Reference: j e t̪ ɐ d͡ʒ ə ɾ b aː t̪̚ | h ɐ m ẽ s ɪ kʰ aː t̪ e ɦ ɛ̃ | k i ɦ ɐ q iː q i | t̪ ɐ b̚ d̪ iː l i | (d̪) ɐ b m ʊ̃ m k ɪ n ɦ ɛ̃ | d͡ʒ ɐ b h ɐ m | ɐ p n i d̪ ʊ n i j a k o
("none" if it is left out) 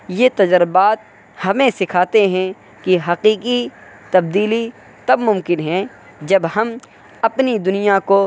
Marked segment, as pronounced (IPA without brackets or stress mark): t̪